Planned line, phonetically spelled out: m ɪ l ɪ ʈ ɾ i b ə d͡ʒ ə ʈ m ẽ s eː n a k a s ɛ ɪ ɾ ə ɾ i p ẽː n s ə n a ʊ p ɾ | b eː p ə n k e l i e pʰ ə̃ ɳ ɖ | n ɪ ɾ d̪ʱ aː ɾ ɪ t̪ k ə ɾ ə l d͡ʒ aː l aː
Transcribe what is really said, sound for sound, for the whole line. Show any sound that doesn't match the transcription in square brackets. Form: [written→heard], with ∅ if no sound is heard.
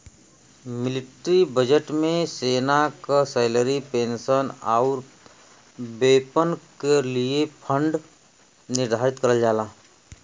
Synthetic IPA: m ɪ l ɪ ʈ ɾ i b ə d͡ʒ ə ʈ m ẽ s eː n a k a s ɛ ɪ [ɾ→l] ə ɾ i p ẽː n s ə n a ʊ [p→∅] ɾ | b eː p ə n k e l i e pʰ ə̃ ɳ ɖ | n ɪ ɾ d̪ʱ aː ɾ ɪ t̪ k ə ɾ ə l d͡ʒ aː l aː

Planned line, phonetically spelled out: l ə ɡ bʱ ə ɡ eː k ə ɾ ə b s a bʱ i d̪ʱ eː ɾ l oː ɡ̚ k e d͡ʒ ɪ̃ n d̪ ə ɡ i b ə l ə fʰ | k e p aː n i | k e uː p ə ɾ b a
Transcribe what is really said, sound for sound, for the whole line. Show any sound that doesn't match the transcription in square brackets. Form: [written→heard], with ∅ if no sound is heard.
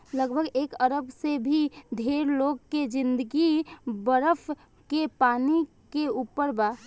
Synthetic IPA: l ə ɡ bʱ ə ɡ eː k ə ɾ ə b s [a→e] bʱ i d̪ʱ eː ɾ l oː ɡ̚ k e d͡ʒ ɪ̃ n d̪ ə ɡ i b ə [l→ɾ] ə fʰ | k e p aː n i | k e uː p ə ɾ b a

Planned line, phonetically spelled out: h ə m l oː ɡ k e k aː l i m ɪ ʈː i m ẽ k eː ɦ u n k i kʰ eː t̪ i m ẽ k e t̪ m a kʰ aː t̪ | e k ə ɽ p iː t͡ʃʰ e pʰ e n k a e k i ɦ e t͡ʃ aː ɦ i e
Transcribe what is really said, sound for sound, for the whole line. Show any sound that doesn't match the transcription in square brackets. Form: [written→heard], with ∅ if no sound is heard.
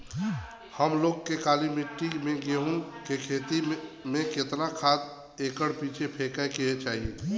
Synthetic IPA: h ə m l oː ɡ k e k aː l i m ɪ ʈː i m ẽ [k→ɡ] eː ɦ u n k [i→e] kʰ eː t̪ i m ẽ k e t̪ [m→n] a kʰ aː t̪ | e k ə ɽ p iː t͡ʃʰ e pʰ e [n→∅] k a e k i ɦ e t͡ʃ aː ɦ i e

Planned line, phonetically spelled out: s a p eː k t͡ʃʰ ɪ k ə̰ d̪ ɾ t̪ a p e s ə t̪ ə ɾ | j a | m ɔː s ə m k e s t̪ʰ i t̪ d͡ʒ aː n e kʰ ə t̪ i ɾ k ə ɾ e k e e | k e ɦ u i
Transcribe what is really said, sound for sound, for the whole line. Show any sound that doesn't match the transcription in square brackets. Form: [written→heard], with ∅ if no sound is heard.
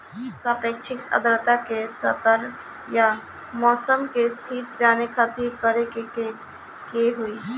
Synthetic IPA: s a p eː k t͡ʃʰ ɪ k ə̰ d̪ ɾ t̪ a [p→k] e s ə t̪ ə ɾ | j a | m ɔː s ə m k e s t̪ʰ i t̪ d͡ʒ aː n e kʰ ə t̪ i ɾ k ə ɾ e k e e | k e ɦ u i

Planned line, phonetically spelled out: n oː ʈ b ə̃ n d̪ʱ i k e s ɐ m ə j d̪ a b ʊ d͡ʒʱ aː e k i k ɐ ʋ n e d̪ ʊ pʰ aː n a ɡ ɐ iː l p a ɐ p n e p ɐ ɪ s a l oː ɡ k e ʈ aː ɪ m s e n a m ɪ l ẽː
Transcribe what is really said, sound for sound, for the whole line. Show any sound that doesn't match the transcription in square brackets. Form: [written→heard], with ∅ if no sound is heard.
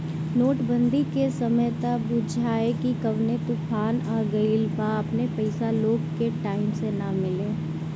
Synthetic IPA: n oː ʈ b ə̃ n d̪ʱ i k e s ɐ m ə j [d̪→t̪] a b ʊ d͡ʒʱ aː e k i k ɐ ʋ n e [d̪→t̪] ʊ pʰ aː n a ɡ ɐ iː l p a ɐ p n e p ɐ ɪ s a l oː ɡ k e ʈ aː ɪ m s e n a m ɪ l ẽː

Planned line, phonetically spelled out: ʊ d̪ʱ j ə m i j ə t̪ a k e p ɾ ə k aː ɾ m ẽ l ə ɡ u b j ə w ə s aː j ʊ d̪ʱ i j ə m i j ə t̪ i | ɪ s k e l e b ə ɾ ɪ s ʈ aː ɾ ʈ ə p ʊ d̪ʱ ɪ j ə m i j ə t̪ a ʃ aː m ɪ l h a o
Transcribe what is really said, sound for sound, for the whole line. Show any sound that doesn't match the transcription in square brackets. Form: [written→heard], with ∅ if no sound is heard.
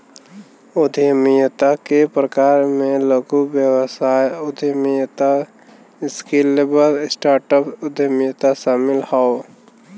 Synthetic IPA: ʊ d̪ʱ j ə m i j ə t̪ a k e p ɾ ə k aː ɾ m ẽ l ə ɡ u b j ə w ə s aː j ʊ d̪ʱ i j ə m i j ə t̪ [i→a] | ɪ s k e l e b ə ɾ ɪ s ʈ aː ɾ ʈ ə p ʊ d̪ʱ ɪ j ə m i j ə t̪ a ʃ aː m ɪ l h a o

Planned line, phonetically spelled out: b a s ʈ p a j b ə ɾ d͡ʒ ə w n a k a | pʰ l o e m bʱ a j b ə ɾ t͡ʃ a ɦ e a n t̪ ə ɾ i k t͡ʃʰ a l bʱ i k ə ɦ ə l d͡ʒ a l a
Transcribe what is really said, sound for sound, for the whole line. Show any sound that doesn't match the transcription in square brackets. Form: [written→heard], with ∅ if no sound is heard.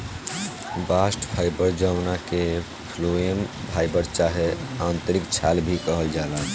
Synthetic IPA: b a s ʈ [p→pʰ] a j b ə ɾ d͡ʒ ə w n a k [a→e] | pʰ l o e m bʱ a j b ə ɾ t͡ʃ a ɦ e a n t̪ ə ɾ i k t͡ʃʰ a l bʱ i k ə ɦ ə l d͡ʒ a l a

